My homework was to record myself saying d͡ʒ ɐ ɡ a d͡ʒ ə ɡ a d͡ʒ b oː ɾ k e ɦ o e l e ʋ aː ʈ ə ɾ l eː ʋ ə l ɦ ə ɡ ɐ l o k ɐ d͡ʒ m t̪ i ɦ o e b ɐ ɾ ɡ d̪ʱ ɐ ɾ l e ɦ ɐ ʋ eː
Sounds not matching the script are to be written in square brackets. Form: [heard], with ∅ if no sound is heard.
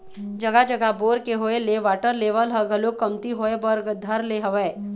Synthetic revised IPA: d͡ʒ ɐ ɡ a d͡ʒ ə ɡ a [∅] b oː ɾ k e ɦ o e l e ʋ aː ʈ ə ɾ l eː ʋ ə l ɦ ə ɡ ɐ l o k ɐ [∅] m t̪ i ɦ o e b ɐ ɾ ɡ d̪ʱ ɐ ɾ l e ɦ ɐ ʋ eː